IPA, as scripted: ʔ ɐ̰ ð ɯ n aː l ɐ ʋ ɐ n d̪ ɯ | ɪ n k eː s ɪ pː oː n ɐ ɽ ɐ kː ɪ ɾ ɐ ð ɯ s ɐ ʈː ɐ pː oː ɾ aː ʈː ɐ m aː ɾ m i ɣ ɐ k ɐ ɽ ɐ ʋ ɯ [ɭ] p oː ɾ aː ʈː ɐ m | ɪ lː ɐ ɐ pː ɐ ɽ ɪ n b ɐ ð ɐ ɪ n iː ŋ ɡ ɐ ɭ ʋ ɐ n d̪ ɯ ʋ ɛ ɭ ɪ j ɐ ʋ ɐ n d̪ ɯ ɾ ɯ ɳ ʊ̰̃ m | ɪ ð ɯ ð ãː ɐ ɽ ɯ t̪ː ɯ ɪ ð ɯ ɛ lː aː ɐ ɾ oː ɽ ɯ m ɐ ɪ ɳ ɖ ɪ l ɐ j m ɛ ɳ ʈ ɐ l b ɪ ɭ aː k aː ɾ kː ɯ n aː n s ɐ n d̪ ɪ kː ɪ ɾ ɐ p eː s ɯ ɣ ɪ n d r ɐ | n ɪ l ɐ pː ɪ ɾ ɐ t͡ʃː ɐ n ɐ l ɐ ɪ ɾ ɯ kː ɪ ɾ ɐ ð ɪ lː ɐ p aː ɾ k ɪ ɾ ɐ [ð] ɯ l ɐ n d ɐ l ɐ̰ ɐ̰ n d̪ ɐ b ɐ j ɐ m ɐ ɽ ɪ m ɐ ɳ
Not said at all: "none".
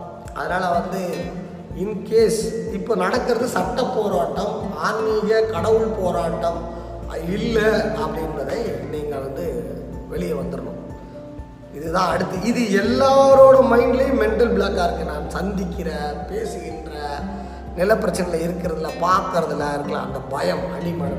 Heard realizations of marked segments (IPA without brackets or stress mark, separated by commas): ɭ, ð